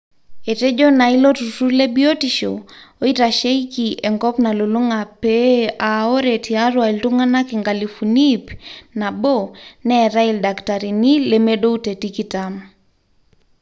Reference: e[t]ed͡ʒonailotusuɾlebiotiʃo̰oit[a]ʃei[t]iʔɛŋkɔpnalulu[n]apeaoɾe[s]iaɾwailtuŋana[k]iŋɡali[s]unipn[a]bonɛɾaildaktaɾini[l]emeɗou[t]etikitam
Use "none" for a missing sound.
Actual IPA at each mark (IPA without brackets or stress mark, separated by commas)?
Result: t, a, k, ŋ, t, k, f, a, l, t